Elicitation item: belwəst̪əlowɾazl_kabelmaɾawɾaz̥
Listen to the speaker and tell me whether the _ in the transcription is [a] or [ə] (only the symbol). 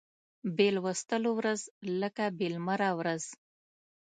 ə